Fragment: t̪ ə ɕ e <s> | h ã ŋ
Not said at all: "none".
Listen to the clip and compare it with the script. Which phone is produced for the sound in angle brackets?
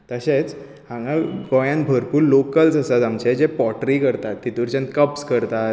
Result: t͡s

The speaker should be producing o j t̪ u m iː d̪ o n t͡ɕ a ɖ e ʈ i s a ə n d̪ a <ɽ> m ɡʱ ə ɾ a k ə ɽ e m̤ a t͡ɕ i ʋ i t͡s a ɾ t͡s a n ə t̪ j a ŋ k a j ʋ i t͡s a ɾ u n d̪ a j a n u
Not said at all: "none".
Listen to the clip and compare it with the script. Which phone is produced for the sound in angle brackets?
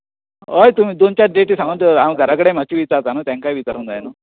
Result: none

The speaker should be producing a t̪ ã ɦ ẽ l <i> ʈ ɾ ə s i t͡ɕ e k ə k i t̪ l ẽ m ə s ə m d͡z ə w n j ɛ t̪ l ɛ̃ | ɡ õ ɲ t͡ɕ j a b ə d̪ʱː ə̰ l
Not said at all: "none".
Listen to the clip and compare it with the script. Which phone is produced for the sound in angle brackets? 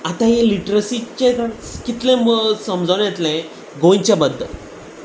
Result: i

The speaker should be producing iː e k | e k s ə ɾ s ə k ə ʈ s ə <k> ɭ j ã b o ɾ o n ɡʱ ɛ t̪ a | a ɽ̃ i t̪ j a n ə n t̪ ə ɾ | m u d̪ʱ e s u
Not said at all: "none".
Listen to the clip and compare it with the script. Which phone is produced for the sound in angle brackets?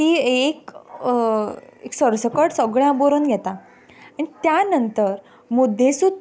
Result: ɡ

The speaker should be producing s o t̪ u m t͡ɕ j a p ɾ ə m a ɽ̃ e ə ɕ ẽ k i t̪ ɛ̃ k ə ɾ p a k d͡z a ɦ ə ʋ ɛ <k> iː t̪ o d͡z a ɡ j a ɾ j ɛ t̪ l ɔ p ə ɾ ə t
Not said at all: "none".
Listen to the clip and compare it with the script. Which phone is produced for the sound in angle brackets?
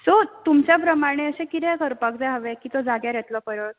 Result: k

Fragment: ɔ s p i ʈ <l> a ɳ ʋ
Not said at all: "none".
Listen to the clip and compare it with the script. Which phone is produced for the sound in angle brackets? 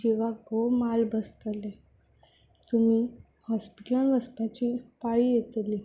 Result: l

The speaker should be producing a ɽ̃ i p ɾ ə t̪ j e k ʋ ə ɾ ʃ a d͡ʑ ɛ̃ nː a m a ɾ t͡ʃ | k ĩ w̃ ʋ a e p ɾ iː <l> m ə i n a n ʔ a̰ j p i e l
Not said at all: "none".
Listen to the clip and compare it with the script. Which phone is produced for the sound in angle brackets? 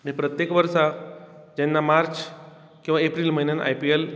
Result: l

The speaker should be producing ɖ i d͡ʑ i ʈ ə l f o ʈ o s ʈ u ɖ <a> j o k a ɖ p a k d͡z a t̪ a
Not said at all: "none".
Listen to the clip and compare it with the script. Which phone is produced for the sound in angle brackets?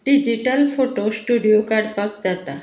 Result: i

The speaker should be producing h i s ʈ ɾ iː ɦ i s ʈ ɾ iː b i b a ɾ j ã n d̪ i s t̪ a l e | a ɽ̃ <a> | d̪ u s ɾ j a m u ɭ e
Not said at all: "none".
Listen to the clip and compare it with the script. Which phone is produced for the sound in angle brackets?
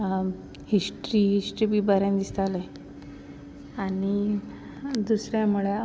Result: i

